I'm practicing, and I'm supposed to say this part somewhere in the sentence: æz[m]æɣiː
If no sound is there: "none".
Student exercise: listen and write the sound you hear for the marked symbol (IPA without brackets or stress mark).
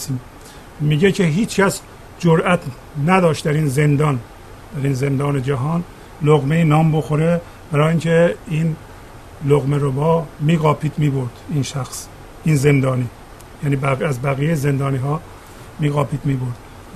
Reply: b